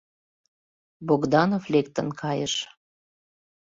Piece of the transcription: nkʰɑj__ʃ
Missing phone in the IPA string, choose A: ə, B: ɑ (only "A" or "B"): A